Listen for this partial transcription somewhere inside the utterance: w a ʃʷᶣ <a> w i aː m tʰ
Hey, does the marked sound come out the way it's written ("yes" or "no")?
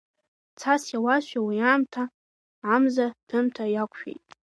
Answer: yes